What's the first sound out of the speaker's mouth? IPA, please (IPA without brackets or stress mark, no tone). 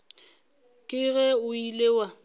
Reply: kʼ